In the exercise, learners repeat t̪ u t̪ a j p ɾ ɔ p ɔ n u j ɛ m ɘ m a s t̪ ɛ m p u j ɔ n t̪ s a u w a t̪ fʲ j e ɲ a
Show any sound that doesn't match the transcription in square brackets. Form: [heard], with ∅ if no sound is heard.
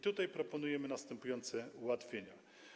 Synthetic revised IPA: t̪ u t̪ a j p ɾ ɔ p ɔ n u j ɛ m ɘ [n] a s t̪ ɛ m p u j ɔ n t̪ s [ɛ] u w a t̪ fʲ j e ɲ a